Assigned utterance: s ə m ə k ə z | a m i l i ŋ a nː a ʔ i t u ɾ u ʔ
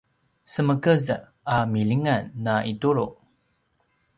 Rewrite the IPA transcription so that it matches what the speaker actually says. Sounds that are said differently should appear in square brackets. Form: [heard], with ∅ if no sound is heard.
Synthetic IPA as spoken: s ə m ə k ə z | a m i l i ŋ a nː a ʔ i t u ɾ u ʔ